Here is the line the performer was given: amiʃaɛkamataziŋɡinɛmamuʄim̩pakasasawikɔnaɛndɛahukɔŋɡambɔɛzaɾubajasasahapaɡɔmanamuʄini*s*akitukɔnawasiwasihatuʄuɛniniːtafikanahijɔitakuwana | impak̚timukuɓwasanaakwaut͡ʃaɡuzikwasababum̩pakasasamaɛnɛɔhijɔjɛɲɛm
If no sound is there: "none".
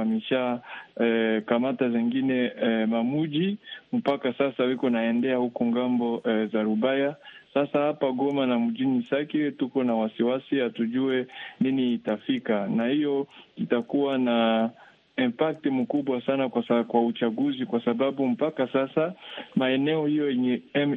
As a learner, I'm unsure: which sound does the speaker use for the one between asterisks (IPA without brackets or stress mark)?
s